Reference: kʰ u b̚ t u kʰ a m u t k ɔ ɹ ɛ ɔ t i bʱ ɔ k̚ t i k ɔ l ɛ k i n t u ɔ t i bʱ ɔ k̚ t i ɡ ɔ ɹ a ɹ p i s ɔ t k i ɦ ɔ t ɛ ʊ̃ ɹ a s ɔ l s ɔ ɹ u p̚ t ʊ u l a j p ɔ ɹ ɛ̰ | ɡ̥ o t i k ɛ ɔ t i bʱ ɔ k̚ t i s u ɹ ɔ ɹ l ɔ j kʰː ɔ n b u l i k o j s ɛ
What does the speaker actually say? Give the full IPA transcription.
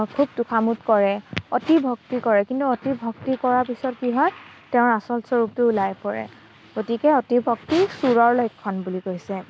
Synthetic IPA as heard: kʰ u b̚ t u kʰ a m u t k ɔ ɹ ɛ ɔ t i bʱ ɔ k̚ t i k ɔ ɹ ɛ k i n t u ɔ t i bʱ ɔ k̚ t i k ɔ ɹ a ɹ p i s ɔ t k i ɦ ɔ t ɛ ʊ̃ ɹ a s ɔ l s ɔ ɹ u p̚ t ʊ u l a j p ɔ ɹ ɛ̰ | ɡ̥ o t i k ɛ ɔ t i bʱ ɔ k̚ t i s u ɹ ɔ ɹ l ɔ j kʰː ɔ n b u l i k o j s ɛ